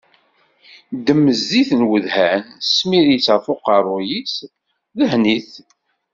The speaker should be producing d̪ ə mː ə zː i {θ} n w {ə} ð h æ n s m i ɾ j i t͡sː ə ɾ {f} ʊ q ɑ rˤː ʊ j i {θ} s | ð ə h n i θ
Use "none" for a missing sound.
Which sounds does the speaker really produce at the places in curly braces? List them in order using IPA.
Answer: θ, ə, f, none

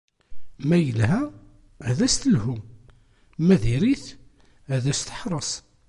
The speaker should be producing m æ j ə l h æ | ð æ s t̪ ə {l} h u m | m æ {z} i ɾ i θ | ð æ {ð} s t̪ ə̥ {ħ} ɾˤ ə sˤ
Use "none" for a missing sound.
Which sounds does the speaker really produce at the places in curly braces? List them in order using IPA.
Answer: l, ð, none, ħ

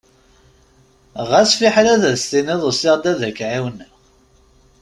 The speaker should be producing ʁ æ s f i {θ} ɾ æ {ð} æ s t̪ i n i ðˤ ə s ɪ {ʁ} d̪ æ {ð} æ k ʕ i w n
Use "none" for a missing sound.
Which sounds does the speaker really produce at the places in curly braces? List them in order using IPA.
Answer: ħ, ð, ʁ, ð

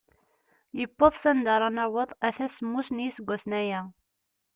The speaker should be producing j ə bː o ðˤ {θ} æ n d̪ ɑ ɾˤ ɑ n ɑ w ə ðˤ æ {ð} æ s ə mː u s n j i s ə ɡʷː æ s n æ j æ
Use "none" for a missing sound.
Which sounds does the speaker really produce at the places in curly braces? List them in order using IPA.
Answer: s, θ

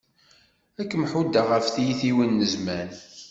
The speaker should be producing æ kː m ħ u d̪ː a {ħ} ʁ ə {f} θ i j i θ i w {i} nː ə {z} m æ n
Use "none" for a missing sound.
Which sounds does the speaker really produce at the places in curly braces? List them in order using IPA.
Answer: none, f, i, z

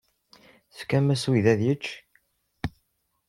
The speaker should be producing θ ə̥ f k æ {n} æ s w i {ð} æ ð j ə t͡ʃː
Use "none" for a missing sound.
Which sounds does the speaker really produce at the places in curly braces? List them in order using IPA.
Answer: m, ð

